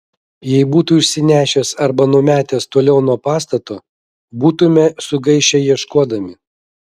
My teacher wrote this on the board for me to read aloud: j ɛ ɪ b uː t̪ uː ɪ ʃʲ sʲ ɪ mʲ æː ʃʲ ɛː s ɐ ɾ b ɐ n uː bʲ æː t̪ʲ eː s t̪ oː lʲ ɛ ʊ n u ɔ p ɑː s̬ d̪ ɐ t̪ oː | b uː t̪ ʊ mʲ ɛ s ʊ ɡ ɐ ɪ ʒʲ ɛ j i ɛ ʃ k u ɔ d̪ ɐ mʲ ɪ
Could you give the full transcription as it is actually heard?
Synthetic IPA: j ɛ ɪ b uː t̪ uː ɪ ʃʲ sʲ ɪ nʲ æː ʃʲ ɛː s ɐ ɾ b ɐ n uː mʲ æː t̪ʲ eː s t̪ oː lʲ ɛ ʊ n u ɔ p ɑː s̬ t̪ ɐ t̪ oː | b uː t̪ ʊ mʲ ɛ s ʊ ɡ ɐ ɪ ʃʲ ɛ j i ɛ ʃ k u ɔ d̪ ɐ mʲ ɪ

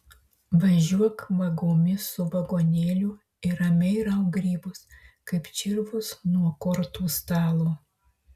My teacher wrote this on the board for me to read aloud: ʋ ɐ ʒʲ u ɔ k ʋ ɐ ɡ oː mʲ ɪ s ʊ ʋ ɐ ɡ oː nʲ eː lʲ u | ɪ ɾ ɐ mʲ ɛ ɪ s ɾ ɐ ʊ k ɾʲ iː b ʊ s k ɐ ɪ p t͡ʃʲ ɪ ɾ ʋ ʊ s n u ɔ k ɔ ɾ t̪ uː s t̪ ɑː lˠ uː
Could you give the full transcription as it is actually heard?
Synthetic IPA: ʋ ɐ ʒʲ u ɔ k ʋ ɐ ɡ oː mʲ ɪ s ʊ ʋ ɐ ɡ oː nʲ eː lʲ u | ɪ ɾ ɐ mʲ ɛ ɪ ɾ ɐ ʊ ɡ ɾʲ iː b ʊ s k ɐ ɪ p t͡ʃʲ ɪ ɾ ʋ ʊ s n u ɔ k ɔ ɾ t̪ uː s t̪ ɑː lˠ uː

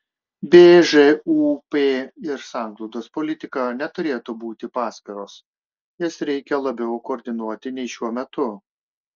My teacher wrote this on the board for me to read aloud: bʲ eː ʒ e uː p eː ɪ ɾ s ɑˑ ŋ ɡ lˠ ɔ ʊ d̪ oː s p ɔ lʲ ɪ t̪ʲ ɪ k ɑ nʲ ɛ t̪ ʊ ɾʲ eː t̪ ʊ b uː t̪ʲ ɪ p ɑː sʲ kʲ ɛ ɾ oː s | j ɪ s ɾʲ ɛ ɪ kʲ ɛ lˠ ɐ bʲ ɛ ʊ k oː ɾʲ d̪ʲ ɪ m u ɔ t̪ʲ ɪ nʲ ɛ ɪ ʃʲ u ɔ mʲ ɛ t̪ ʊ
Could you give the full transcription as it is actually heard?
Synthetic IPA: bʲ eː ʒ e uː p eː ɪ ɾ s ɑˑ ŋ ɡ lˠ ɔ ʊ d̪ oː s p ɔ lʲ ɪ t̪ʲ ɪ k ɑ nʲ ɛ t̪ ʊ ɾʲ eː t̪ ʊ b uː t̪ʲ ɪ p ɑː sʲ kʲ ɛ ɾ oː s | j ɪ s ɾʲ ɛ ɪ kʲ ɛ lˠ ɐ bʲ ɛ ʊ k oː ɾʲ d̪ʲ ɪ n u ɔ t̪ʲ ɪ nʲ ɛ ɪ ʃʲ u ɔ mʲ ɛ t̪ ʊ

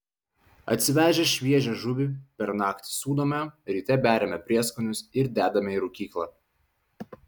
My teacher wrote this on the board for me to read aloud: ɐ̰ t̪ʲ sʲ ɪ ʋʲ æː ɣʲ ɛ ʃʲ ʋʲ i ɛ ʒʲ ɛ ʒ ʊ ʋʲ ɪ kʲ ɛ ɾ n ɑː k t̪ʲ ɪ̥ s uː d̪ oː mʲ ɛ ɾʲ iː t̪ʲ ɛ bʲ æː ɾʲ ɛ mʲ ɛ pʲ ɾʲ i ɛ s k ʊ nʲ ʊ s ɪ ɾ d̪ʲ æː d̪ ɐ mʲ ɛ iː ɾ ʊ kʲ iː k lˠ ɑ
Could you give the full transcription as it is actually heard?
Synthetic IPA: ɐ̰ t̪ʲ sʲ ɪ ʋʲ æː ʒʲ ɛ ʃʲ ʋʲ i ɛ ʒʲ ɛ ʒ ʊ ʋʲ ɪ pʲ ɛ ɾ n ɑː k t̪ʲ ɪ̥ s uː d̪ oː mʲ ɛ ɾʲ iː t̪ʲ ɛ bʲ æː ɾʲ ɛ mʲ ɛ pʲ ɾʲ i ɛ s k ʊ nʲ ʊ s ɪ ɾ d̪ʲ æː d̪ ɐ mʲ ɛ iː ɾ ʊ kʲ iː k lˠ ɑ

